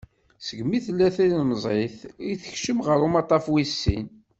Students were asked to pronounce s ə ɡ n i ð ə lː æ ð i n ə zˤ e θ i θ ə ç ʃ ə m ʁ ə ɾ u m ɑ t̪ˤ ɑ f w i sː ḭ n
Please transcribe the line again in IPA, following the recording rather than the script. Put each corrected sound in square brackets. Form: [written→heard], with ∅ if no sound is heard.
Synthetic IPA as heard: s ə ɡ [n→m] i [ð→θ] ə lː æ [ð→θ] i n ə zˤ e θ i θ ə ç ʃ ə m ʁ ə ɾ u m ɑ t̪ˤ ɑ f w i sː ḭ n